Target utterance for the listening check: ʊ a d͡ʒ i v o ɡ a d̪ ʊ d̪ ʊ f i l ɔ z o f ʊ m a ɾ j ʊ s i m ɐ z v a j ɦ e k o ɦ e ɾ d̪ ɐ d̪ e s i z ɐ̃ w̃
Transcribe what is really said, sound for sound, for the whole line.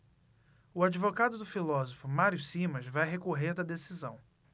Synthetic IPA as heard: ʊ a d͡ʒ i v o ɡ a d̪ ʊ d̪ ʊ f i l ɔ z o f ʊ m a ɾ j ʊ s i m ɐ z v a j ɦ e k o ɦ e ɾ d̪ ɐ d̪ e s i z ɐ̃ w̃